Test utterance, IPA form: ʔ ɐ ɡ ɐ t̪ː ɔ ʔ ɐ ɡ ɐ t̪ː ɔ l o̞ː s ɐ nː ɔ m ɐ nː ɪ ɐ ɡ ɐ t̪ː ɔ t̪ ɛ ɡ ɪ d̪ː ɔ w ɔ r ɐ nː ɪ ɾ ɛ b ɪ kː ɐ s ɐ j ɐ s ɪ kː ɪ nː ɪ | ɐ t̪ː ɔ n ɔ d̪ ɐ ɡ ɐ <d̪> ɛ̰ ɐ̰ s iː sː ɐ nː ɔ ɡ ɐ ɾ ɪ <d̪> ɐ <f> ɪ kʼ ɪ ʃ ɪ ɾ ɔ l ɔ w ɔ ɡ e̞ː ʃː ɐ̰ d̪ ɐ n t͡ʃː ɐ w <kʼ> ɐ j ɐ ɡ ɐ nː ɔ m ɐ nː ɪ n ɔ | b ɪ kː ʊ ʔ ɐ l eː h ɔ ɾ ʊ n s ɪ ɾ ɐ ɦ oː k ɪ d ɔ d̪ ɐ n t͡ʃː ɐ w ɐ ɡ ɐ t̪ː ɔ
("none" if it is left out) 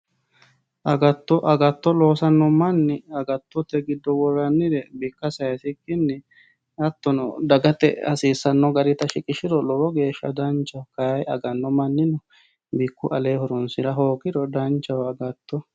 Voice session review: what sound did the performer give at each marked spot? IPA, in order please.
t̪, t̪, ʃ, k

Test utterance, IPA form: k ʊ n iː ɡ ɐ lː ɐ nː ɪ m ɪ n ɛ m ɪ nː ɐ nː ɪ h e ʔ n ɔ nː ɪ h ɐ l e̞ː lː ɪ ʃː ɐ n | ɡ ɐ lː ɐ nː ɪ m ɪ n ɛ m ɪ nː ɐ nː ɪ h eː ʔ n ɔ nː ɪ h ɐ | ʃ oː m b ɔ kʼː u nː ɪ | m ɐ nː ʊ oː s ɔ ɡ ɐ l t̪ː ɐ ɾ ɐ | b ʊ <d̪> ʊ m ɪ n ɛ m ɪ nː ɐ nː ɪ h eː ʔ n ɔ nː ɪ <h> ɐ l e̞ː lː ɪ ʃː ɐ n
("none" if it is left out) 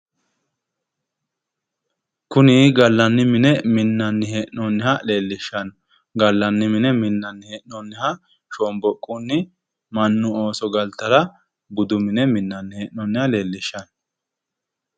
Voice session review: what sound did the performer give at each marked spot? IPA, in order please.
d̪, h

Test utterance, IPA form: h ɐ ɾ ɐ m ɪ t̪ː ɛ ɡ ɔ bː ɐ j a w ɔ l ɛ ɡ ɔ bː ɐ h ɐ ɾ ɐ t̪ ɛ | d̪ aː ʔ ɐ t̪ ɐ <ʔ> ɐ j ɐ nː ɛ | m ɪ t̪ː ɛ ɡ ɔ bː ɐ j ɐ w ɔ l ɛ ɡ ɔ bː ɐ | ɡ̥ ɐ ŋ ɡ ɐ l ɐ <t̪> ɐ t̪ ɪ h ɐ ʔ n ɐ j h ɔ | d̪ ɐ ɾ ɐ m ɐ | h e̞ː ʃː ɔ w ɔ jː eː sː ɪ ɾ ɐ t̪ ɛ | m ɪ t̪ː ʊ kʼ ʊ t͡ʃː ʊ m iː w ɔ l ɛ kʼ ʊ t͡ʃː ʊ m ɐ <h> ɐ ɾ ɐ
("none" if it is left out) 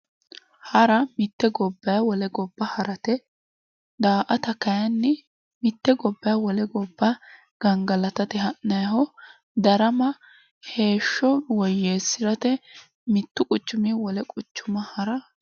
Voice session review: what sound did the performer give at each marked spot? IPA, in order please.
k, t̪, h

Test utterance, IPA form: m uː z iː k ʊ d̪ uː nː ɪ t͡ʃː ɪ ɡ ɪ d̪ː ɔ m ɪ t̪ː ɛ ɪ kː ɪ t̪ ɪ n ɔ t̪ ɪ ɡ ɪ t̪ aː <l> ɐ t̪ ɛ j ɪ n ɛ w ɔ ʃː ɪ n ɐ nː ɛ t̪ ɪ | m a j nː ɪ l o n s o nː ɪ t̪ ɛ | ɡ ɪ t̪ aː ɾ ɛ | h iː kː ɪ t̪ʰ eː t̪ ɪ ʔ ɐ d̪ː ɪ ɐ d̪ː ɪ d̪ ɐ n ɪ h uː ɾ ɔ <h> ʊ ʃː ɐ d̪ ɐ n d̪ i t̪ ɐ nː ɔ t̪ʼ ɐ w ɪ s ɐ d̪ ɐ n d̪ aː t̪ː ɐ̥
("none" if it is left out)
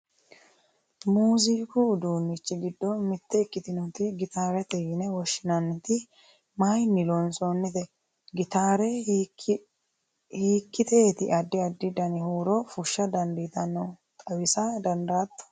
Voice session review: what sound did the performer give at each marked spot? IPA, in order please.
ɾ, f

